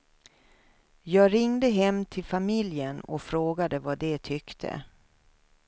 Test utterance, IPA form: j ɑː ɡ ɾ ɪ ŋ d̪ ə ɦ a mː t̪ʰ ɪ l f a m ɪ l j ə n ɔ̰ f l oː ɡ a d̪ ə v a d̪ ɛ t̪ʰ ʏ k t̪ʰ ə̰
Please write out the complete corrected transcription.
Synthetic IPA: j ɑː ɡ ɾ ɪ ŋ d̪ ə ɦ ɛ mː t̪ʰ ɪ l f a m ɪ l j ə n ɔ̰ f ɾ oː ɡ a d̪ ə v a d̪ ɛ t̪ʰ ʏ k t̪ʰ ə̰